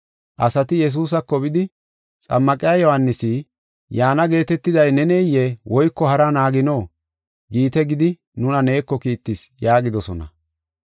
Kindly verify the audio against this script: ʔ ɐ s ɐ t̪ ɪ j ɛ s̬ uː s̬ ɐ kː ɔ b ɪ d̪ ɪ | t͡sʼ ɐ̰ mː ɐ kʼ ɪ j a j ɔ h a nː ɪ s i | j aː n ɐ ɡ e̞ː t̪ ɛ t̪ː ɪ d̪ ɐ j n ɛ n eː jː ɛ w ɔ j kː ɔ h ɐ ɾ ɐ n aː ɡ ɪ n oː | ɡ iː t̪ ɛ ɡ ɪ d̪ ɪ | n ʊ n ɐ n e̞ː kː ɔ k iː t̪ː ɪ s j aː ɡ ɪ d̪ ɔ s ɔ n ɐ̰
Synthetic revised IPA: ʔ ɐ s ɐ t̪ ɪ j ɛ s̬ uː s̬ ɐ kː ɔ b ɪ d̪ ɪ | t͡sʼ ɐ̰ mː ɐ kʼ ɪ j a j ɔ h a nː ɪ s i | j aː n ɐ ɡ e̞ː t̪ ɛ t̪ː ɪ d̪ ɐ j n ɛ n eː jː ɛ w ɔ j kː ɔ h ɐ ɾ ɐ n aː ɡ ɪ n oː | ɡ iː t̪ ɛ ɡ ɪ d̪ ɪ | n ʊ n ɐ n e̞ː kː ɔ k iː t̪ː ɪ s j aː ɡ ɪ d̪ ɔ s ɔ n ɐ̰